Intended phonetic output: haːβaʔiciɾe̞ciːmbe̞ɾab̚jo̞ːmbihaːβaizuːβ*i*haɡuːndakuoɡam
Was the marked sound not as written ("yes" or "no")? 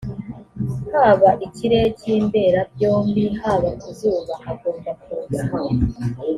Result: yes